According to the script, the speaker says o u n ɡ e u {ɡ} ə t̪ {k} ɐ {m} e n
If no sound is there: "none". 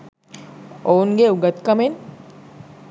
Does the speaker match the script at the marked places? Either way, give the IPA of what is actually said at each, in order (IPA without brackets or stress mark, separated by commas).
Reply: ɡ, k, m